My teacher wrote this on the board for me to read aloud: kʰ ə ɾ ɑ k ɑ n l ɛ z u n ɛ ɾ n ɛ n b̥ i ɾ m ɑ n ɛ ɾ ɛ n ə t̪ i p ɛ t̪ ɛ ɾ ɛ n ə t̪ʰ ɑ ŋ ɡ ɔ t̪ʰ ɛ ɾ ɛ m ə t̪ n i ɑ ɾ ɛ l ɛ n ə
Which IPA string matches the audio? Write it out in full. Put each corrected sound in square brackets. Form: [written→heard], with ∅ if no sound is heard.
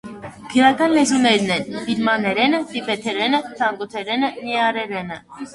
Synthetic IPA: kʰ ə ɾ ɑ k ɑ n l ɛ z u n ɛ ɾ n ɛ n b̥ i ɾ m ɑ n ɛ ɾ ɛ n ə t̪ i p ɛ [t̪→t̪ʰ] ɛ ɾ ɛ n ə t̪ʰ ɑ ŋ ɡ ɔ t̪ʰ ɛ ɾ ɛ [m→n] ə [t̪→∅] n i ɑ ɾ ɛ [l→ɾ] ɛ n ə